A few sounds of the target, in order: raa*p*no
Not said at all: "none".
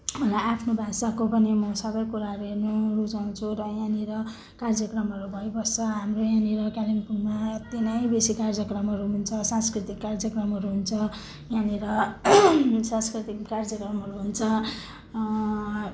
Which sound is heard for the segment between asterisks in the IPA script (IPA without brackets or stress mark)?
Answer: pʰ